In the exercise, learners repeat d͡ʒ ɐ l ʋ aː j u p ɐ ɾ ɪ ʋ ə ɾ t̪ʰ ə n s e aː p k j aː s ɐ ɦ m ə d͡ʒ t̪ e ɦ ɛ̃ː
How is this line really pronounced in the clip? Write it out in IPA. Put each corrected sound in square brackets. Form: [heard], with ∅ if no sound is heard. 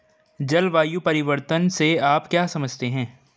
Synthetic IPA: d͡ʒ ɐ l ʋ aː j u p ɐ ɾ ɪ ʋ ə ɾ [t̪] ə n s e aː p k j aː s ɐ [∅] m ə d͡ʒ t̪ e ɦ ɛ̃ː